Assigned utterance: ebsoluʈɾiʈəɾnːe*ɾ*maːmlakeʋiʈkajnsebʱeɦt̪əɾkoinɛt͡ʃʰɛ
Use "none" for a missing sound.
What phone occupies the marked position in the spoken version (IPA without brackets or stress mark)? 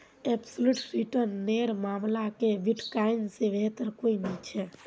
ɾ